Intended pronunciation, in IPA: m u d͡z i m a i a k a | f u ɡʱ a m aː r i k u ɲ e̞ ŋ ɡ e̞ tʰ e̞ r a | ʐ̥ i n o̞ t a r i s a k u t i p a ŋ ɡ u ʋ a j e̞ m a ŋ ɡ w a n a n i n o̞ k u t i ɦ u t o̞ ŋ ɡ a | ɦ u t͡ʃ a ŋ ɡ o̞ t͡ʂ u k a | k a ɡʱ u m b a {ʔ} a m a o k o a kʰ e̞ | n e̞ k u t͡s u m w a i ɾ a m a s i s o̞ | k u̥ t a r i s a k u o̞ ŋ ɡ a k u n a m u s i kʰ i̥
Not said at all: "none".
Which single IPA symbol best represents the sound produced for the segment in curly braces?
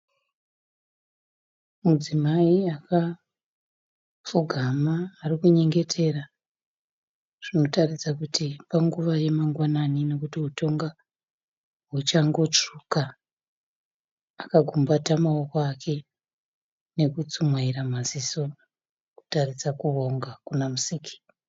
t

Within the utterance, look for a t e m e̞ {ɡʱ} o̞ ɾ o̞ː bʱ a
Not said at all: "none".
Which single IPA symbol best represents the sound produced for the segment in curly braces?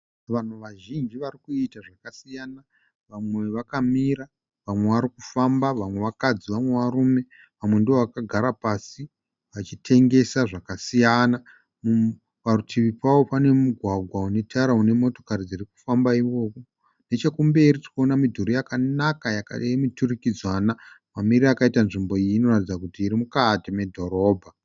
dʱ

